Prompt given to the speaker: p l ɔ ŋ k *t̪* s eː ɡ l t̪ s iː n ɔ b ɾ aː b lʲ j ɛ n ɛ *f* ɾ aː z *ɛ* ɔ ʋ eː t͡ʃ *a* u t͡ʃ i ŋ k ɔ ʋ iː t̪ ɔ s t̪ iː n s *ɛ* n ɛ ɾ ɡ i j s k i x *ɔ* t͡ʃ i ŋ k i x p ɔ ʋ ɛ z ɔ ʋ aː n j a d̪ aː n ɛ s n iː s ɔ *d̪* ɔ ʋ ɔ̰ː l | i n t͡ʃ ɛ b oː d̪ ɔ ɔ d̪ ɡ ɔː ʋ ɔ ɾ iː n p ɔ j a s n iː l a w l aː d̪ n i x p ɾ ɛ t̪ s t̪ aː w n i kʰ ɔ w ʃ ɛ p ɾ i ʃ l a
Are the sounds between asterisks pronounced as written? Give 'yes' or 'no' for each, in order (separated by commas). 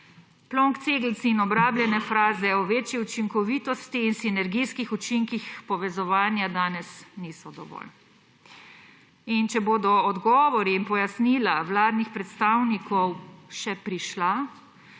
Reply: yes, yes, yes, no, no, no, yes